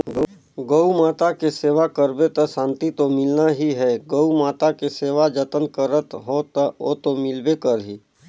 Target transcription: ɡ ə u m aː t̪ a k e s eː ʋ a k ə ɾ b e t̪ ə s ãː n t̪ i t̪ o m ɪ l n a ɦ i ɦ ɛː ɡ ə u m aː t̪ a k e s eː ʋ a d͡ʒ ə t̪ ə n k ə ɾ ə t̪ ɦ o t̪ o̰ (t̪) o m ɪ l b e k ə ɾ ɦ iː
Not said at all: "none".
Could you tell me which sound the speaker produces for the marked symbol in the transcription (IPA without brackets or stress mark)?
t̪